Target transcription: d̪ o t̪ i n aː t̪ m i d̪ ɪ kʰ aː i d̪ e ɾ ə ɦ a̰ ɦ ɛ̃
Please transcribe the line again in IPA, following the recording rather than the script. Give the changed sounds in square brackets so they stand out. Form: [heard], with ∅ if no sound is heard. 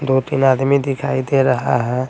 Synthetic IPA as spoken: d̪ o t̪ i n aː [d̪] m i d̪ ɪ kʰ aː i d̪ e ɾ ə ɦ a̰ ɦ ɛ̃